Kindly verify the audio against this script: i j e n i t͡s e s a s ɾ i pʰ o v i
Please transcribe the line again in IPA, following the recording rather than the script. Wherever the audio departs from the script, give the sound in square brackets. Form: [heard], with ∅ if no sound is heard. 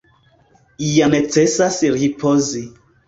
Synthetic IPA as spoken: i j [a] n [e] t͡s e s a s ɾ i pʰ o [z] i